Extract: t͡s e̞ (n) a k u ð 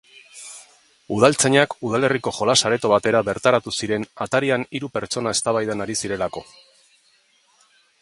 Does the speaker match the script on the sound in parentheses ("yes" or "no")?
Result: no